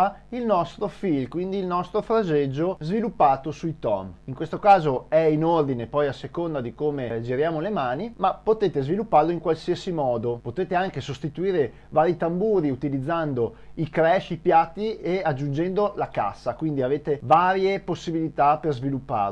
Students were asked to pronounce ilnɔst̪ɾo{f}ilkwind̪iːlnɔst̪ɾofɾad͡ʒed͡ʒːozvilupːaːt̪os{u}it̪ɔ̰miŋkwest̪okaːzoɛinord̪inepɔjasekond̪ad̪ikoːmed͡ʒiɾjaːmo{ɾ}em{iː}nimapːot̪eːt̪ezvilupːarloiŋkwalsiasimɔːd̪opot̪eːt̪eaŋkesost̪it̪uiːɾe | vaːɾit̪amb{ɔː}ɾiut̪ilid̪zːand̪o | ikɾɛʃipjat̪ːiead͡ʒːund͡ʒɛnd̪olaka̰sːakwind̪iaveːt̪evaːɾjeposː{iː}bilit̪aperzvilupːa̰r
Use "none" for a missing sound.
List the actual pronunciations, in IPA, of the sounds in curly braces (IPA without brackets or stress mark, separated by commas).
f, u, l, aː, uː, i